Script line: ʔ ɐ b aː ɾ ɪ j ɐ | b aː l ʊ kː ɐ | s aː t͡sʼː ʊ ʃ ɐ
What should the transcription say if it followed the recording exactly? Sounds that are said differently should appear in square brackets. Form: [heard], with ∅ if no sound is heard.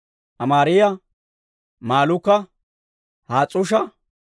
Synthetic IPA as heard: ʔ ɐ [m] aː ɾ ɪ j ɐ | [m] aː l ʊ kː ɐ | [h] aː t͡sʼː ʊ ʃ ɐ